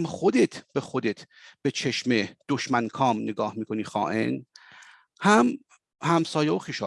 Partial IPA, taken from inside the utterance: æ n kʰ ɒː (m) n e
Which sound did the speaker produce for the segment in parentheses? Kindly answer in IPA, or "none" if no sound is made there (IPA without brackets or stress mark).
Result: m